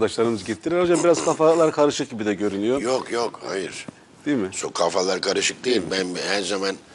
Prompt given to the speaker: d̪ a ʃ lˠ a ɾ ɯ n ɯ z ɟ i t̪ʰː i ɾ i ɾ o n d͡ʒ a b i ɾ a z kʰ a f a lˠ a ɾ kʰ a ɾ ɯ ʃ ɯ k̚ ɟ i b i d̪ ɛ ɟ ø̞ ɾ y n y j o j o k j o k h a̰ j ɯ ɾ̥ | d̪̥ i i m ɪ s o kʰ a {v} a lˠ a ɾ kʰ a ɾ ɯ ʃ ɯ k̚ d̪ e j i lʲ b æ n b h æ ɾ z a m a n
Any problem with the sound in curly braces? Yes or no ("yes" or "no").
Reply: yes